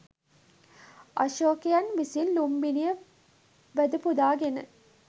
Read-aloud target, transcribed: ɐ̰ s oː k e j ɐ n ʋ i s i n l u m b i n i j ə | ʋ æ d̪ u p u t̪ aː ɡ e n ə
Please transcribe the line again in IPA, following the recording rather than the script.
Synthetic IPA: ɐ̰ ʃ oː k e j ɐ n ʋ i s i n l u m b i n i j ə | ʋ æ d̪ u p u d̪ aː ɡ e n ə